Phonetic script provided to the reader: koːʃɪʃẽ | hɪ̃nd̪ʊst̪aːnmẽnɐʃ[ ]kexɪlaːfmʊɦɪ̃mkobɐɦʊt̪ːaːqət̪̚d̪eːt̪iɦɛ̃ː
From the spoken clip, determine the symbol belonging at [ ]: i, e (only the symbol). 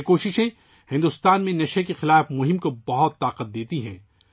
e